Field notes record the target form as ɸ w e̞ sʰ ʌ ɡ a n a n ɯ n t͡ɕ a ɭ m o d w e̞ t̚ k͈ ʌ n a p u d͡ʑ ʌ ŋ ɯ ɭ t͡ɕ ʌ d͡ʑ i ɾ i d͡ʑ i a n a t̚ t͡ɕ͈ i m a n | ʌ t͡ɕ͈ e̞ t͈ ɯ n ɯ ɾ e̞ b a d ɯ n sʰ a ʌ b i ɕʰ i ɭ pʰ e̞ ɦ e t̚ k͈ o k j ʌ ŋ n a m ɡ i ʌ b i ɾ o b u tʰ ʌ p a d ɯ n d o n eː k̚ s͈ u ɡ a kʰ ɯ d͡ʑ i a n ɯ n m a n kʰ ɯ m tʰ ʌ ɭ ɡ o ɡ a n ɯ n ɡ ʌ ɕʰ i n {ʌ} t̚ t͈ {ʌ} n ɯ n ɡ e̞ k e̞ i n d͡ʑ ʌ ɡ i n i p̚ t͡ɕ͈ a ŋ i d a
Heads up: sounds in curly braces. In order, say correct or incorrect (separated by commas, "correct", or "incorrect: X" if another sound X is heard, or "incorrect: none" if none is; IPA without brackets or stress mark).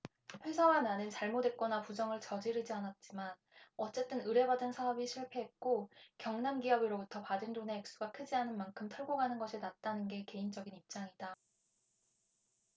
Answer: incorrect: a, incorrect: a